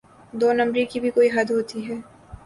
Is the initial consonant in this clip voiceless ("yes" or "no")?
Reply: no